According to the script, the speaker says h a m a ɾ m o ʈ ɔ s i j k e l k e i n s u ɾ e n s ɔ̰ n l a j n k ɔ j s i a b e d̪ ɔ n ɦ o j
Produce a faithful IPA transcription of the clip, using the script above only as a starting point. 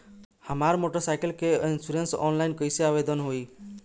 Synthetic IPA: h a m a ɾ m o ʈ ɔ s a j k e l k e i n s u ɾ e n s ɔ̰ n l a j n k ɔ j s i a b e d̪ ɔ n ɦ o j